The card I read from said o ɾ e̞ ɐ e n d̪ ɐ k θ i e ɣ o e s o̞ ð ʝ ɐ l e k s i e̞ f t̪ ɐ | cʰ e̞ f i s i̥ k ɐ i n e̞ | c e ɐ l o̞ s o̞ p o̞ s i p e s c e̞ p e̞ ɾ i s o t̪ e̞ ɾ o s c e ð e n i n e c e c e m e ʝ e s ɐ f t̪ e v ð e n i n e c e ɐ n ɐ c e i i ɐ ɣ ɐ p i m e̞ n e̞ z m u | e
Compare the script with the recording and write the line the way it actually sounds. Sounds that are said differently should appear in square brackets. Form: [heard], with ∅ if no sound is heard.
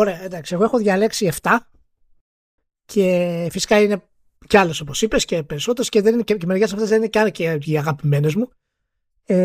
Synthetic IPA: o ɾ e̞ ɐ e n d̪ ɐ k [s] i e ɣ o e [x] o̞ ð ʝ ɐ l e k s i e̞ f t̪ ɐ | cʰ e̞ f i s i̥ k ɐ i n e̞ | c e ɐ l o̞ s o̞ p o̞ s i p e s c e̞ p e̞ ɾ i s o t̪ e̞ ɾ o s c e ð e n i n e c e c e m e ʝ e s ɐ f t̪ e [z] ð e n i n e c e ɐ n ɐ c e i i ɐ ɣ ɐ p i m e̞ n e̞ z m u | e